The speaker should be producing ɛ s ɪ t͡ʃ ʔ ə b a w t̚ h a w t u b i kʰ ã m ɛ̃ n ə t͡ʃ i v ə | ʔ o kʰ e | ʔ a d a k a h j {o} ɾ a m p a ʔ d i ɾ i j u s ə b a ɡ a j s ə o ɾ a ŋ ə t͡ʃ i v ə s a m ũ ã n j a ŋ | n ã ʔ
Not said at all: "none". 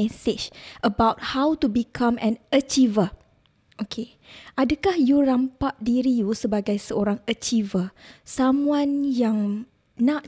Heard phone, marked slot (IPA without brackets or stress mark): u